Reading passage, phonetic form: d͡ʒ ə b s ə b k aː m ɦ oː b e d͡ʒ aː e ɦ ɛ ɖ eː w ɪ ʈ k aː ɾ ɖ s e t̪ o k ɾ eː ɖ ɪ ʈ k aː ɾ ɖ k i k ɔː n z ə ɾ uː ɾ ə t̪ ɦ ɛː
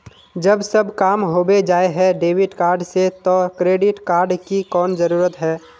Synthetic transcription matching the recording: d͡ʒ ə b s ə b k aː m ɦ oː b e d͡ʒ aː e ɦ ɛ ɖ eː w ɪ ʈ k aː ɾ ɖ s e t̪ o k ɾ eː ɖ ɪ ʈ k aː ɾ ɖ k i k ɔː n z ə ɾ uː ɾ ə t̪ ɦ ɛː

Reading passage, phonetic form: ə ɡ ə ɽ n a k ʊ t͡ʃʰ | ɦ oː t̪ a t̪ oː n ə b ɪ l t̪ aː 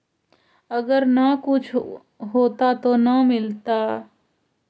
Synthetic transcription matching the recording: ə ɡ ə ɾ n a k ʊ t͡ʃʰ | ɦ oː t̪ a t̪ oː n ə m ɪ l t̪ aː

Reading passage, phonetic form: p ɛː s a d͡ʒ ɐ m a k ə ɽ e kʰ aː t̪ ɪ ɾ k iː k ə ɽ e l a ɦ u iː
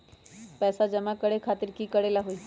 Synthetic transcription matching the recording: p ɛː s a d͡ʒ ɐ m a k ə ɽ e kʰ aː t̪ ɪ ɾ k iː k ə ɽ e l a ɦ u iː

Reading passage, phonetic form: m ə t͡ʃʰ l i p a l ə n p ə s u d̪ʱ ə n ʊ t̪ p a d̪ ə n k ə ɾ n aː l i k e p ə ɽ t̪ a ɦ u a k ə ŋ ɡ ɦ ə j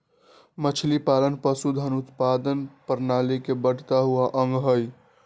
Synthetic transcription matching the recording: m ə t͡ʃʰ l i p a l ə n p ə s u d̪ʱ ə n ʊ t̪ p a d̪ ə n p ə ɾ n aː l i k e b ə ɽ t̪ a ɦ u a ʔ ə ŋ ɡ ɦ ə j

